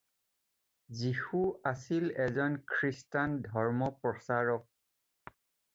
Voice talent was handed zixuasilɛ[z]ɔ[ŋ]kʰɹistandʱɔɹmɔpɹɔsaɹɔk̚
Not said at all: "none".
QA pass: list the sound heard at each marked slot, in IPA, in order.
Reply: z, n

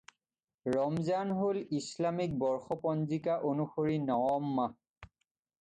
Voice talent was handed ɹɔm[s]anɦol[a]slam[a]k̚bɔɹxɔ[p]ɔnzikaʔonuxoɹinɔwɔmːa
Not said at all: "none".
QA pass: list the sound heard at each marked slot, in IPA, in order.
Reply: z, i, i, p

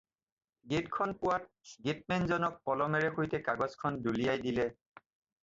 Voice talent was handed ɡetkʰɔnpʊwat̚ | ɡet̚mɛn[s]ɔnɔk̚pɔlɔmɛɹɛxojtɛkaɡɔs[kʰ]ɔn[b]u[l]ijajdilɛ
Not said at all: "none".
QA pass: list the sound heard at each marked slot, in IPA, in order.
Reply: z, kʰ, d, l

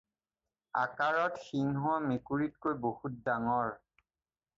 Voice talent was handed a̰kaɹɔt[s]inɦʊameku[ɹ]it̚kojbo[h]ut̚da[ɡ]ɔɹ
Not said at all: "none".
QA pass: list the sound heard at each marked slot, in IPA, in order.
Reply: x, ɹ, h, ŋ

